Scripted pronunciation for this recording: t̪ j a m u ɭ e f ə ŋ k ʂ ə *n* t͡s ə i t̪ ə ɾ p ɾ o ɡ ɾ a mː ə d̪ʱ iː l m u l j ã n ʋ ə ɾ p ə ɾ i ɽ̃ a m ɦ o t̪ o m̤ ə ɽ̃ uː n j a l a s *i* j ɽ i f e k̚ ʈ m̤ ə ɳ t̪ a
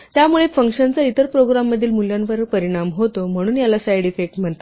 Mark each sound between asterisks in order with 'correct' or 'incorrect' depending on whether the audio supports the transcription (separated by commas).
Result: correct, incorrect